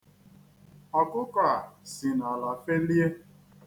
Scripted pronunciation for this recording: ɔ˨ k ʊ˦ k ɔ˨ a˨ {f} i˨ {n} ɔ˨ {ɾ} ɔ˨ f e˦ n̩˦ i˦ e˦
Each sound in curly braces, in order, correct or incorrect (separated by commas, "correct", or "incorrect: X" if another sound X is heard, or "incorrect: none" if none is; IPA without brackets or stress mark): incorrect: s, correct, incorrect: l